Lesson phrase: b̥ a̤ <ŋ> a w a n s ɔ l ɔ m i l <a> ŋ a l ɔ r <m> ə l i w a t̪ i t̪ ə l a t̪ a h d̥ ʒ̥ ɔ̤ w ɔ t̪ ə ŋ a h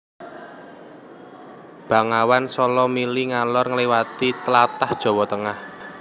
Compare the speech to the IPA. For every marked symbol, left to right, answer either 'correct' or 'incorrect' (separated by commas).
correct, incorrect, incorrect